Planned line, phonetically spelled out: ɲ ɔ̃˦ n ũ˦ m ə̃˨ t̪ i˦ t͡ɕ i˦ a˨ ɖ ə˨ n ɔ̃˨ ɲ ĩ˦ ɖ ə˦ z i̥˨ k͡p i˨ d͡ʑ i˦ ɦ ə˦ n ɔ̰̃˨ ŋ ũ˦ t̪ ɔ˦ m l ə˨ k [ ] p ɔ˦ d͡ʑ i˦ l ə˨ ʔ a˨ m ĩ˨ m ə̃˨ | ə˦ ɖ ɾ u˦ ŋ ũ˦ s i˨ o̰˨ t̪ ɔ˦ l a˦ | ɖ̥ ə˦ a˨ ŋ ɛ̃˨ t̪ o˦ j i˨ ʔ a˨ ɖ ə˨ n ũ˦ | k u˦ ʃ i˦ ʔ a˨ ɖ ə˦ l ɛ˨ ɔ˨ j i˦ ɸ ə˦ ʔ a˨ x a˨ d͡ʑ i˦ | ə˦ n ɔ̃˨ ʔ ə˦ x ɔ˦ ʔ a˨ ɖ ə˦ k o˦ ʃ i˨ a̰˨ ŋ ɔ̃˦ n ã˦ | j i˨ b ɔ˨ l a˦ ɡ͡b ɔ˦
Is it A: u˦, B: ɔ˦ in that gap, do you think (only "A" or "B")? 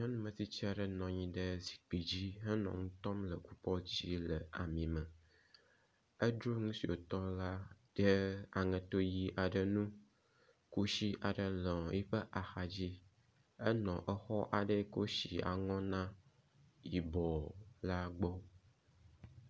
A